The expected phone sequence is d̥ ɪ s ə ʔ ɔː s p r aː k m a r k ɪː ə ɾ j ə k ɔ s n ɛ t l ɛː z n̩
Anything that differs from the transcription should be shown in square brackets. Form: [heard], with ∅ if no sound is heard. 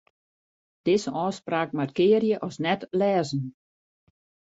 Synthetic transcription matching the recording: d̥ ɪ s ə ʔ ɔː s p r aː k m a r k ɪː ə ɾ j ə [ʔ] ɔ s n ɛ t l ɛː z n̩